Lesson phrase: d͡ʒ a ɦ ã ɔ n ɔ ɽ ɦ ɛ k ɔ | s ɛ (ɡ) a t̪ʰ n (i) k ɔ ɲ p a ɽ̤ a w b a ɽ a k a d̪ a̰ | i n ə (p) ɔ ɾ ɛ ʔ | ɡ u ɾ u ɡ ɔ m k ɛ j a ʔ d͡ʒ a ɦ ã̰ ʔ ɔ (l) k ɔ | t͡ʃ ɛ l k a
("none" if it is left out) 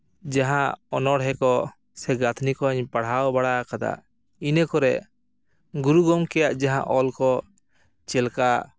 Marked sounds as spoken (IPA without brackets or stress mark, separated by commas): ɡ, i, k, l